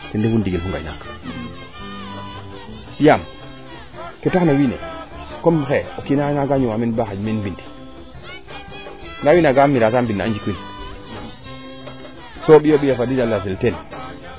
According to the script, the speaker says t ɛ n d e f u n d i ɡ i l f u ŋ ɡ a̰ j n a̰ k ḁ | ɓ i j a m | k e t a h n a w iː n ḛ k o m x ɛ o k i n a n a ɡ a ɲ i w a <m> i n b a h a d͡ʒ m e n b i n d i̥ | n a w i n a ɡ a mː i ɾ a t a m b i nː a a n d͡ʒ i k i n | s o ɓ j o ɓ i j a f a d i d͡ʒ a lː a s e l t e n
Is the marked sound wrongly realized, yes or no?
no